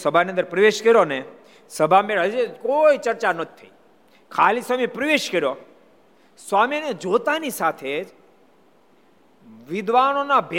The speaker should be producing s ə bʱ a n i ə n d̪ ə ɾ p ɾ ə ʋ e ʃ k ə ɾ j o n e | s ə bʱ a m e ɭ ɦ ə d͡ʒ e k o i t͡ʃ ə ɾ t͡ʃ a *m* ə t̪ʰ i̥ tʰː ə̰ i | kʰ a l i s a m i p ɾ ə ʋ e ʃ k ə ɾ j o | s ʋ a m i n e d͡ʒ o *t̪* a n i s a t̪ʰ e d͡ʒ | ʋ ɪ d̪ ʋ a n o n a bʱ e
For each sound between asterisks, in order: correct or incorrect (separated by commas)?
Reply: incorrect, correct